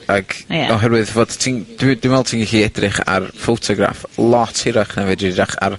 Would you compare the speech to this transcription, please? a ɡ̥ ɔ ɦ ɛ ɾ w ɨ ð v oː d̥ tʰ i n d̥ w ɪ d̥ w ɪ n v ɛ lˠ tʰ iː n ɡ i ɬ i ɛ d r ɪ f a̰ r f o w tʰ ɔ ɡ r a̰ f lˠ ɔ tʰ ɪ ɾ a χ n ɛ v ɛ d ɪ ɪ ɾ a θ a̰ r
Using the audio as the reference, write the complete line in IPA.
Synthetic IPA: a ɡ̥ ɔ ɦ ɛ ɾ w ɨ ð v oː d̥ tʰ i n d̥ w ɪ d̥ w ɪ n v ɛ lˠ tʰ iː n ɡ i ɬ i ɛ d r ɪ χ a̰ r f o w tʰ ɔ ɡ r a̰ f lˠ ɔ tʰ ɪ ɾ a χ n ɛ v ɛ d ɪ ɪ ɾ a χ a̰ r